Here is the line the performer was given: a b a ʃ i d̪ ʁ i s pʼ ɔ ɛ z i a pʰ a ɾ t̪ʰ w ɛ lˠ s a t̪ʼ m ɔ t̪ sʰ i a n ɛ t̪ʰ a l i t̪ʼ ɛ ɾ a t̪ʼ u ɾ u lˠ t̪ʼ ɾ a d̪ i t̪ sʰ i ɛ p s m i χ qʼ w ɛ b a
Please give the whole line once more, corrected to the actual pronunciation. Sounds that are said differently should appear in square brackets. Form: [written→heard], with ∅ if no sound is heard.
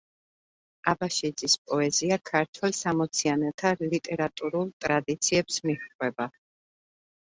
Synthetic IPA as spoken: a b a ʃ i d̪ [ʁ→z] i s pʼ ɔ ɛ z i a [pʰ→kʰ] a ɾ t̪ʰ w ɛ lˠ s a [t̪ʼ→∅] m ɔ t̪ sʰ i a n ɛ t̪ʰ a l i t̪ʼ ɛ ɾ a t̪ʼ u ɾ u lˠ t̪ʼ ɾ a d̪ i t̪ sʰ i ɛ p s m i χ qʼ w ɛ b a